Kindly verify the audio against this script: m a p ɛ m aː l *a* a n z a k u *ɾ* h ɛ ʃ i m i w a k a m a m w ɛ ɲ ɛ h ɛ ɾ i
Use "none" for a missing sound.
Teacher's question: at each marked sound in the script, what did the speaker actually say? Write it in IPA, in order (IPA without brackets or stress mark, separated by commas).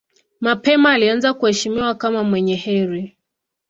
i, none